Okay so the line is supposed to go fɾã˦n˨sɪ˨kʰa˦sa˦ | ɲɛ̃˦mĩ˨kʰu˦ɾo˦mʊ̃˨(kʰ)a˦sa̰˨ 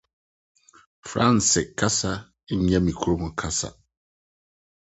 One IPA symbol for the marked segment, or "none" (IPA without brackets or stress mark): kʰ